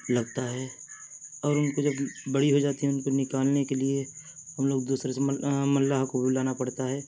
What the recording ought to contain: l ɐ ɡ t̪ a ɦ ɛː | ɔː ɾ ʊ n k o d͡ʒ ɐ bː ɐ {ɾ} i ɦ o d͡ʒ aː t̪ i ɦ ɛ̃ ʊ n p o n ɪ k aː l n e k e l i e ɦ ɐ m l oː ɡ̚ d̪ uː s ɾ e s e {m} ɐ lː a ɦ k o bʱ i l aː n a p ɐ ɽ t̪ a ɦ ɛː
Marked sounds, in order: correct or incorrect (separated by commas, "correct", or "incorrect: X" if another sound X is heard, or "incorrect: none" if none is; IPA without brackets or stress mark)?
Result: incorrect: ɽ, correct